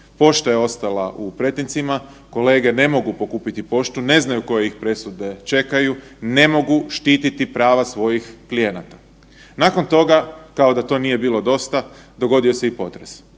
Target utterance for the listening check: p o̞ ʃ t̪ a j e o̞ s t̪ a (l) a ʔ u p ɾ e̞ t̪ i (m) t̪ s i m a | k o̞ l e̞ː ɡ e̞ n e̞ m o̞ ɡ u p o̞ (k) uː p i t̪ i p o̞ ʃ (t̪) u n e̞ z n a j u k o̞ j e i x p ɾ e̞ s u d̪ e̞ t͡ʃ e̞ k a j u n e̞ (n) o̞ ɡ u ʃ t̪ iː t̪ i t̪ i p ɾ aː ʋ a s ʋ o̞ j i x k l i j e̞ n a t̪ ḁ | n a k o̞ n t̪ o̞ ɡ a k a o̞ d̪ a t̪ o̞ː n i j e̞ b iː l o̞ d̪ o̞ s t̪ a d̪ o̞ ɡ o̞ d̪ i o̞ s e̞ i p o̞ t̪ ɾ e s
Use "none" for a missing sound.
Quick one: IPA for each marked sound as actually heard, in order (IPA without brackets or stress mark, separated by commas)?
l, n, k, t̪, m